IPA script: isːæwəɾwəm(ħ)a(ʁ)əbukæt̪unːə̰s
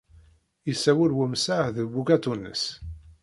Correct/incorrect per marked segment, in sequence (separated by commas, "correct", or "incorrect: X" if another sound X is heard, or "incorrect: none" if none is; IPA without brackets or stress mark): incorrect: s, incorrect: ð